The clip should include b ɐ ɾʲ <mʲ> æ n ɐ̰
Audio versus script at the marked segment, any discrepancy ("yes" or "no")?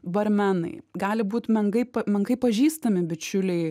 no